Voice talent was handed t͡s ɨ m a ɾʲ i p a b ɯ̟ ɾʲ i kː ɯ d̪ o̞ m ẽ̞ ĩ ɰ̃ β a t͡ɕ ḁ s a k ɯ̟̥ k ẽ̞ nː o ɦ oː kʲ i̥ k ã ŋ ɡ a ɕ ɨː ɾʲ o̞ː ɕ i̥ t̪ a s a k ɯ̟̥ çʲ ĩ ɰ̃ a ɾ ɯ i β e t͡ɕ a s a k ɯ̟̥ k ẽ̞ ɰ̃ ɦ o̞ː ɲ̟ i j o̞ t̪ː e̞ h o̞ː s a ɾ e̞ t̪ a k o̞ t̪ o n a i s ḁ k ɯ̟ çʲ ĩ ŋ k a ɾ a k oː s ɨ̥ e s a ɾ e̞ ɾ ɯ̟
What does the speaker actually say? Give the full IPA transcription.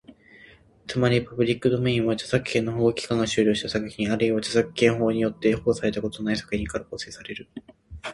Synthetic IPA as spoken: t͡s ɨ m a ɾʲ i p a b ɯ̟ ɾʲ i kː ɯ d̪ o̞ m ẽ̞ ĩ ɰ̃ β a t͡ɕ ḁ s a k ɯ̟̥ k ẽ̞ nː o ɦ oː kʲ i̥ k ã ŋ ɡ a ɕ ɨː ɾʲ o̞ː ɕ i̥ t̪ a s a k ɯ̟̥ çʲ ĩ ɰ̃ a ɾ ɯ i β a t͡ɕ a s a k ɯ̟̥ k ẽ̞ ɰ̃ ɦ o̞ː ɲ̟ i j o̞ t̪ː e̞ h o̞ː s a ɾ e̞ t̪ a k o̞ t̪ o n a i s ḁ k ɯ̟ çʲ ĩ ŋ k a ɾ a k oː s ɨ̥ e s a ɾ e̞ ɾ ɯ̟